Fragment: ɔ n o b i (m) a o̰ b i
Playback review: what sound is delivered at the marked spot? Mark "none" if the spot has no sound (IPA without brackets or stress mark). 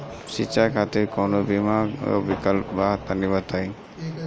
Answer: m